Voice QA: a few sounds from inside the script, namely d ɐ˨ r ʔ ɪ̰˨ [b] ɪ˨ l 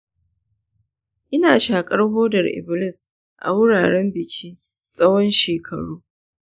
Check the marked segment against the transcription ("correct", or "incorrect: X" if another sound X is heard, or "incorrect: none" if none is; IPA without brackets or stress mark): correct